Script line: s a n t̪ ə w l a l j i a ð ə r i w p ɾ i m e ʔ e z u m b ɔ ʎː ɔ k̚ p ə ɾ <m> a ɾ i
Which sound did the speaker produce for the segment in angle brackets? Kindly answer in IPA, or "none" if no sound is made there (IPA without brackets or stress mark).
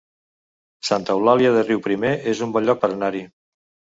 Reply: n